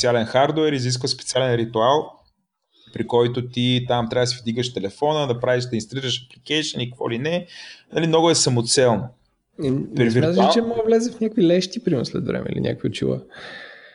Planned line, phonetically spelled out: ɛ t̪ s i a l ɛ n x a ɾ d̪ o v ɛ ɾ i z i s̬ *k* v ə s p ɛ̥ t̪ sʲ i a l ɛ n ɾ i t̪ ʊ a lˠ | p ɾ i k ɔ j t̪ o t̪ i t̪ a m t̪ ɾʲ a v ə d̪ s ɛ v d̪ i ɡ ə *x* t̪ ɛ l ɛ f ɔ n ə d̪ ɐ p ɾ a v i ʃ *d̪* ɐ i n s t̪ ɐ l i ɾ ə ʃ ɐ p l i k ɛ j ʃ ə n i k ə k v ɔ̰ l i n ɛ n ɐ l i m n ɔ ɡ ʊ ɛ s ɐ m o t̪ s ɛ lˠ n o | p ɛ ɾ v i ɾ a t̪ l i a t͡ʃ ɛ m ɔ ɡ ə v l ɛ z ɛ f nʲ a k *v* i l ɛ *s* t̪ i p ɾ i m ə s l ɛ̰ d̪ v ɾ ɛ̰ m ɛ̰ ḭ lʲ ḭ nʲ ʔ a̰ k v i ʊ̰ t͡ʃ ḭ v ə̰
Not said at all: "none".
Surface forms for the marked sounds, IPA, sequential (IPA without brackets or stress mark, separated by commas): k, ʃ, d̪, v, ʃ